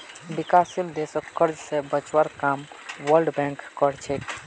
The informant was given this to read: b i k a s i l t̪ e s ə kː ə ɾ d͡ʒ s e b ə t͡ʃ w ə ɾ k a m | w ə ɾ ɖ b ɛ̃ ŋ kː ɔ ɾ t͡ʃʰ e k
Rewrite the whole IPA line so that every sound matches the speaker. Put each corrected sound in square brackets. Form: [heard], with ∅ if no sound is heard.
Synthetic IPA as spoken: b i k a s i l [d̪] e s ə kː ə ɾ d͡ʒ s e b ə t͡ʃ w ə ɾ k a m | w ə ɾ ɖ b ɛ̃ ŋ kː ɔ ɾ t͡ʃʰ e k